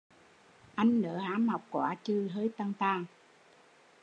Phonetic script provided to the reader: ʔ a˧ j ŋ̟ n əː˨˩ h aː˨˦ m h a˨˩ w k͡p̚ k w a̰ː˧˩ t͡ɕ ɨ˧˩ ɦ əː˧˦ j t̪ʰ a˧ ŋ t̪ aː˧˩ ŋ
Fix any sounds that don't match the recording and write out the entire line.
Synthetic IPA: ʔ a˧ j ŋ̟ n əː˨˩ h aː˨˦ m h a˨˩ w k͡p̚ k w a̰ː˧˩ t͡ɕ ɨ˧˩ ɦ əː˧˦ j t̪ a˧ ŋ t̪ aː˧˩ ŋ